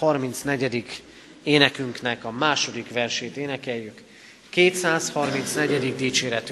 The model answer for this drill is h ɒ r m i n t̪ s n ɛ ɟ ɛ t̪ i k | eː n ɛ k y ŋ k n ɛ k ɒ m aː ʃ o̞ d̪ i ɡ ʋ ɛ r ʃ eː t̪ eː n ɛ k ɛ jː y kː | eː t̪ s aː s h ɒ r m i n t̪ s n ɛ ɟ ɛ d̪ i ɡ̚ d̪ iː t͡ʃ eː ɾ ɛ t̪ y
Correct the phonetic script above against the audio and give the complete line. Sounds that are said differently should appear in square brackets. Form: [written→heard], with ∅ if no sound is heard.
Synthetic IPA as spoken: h ɒ r m i n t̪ s n ɛ ɟ ɛ [t̪→d̪] i k | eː n ɛ k y ŋ k n ɛ k ɒ m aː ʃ o̞ d̪ i [ɡ→k] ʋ ɛ r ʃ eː t̪ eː n ɛ k ɛ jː y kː | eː t̪ s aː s h ɒ r m i n t̪ s n ɛ ɟ ɛ d̪ i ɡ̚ d̪ iː t͡ʃ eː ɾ ɛ t̪ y